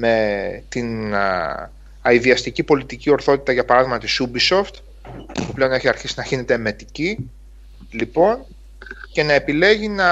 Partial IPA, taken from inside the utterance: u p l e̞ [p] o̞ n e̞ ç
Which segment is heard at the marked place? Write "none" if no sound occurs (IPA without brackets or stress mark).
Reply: none